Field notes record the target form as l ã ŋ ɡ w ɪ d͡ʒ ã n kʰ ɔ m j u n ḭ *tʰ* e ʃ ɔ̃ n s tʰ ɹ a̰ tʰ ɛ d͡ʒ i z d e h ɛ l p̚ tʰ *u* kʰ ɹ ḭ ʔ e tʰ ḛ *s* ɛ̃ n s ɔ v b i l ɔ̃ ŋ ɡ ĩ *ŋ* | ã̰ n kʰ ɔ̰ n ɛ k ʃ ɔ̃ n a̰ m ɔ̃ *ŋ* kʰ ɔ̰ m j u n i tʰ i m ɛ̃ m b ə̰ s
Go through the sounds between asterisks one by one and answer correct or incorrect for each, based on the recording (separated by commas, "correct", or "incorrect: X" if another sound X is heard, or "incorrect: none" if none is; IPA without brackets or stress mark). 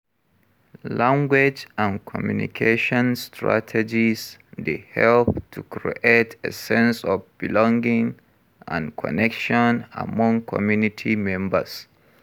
incorrect: kʰ, correct, correct, correct, correct